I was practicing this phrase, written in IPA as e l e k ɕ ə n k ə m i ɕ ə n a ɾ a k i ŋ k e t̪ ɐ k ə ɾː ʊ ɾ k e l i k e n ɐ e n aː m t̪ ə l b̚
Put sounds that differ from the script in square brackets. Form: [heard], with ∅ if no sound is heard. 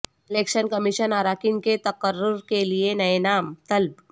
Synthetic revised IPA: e l e k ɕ ə n k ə m i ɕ ə n a ɾ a k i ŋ k e t̪ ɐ k ə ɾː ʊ ɾ k e l i [∅] e n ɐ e n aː m t̪ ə l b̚